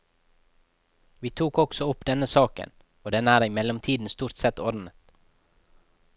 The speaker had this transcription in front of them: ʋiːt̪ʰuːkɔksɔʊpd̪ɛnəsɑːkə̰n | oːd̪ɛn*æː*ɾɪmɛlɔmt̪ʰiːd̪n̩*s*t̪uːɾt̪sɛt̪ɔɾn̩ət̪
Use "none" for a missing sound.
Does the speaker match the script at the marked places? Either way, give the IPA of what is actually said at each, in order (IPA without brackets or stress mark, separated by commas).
æː, s